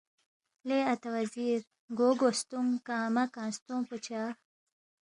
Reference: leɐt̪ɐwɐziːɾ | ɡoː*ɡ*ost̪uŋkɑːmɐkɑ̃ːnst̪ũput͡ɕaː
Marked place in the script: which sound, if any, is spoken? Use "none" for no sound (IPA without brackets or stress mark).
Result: ɡ